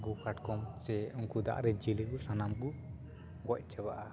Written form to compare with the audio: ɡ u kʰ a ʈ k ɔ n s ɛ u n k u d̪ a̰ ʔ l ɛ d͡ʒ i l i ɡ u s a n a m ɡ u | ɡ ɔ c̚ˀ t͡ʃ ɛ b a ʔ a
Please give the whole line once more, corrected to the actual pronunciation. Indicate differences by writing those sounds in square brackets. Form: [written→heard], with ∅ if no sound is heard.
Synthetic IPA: ɡ u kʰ a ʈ k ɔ [n→m] s ɛ u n k u d̪ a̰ ʔ [l→ɾ] ɛ d͡ʒ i l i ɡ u s a n a m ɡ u | ɡ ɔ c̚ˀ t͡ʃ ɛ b a ʔ a